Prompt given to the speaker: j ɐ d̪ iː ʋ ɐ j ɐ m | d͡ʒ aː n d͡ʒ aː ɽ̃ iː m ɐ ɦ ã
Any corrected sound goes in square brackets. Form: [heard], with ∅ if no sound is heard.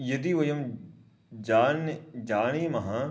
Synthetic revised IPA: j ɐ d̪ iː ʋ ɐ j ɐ m | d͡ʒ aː n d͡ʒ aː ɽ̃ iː m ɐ ɦ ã